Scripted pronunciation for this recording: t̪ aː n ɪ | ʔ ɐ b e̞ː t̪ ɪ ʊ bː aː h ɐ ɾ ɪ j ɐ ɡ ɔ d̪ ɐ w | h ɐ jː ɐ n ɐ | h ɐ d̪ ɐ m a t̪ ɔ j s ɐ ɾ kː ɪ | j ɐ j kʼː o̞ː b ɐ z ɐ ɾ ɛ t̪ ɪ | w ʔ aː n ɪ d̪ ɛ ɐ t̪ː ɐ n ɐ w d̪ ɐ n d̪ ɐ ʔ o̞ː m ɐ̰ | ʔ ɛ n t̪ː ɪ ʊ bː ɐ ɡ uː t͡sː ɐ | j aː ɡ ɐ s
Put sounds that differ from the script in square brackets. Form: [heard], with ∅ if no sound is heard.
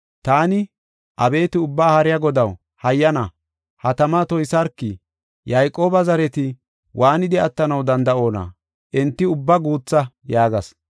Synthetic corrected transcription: t̪ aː n ɪ | ʔ ɐ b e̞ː t̪ ɪ ʊ bː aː h ɐ ɾ ɪ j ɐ ɡ ɔ d̪ ɐ w | h ɐ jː ɐ n ɐ | h ɐ [t̪] ɐ m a t̪ ɔ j s ɐ ɾ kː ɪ | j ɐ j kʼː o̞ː b ɐ z ɐ ɾ ɛ t̪ ɪ | w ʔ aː n ɪ d̪ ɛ ɐ t̪ː ɐ n ɐ w d̪ ɐ n d̪ ɐ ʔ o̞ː [n] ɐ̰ | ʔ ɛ n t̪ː ɪ ʊ bː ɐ ɡ uː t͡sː ɐ | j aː ɡ ɐ s